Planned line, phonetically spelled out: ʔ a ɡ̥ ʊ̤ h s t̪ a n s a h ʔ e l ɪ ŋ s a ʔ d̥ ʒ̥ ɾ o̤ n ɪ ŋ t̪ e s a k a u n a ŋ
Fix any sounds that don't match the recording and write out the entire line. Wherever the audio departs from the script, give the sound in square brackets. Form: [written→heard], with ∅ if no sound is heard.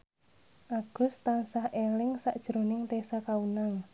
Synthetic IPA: ʔ a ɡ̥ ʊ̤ [h→∅] s t̪ a n s a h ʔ e l ɪ ŋ s a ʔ d̥ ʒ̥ ɾ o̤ n ɪ ŋ t̪ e s a k a u n a ŋ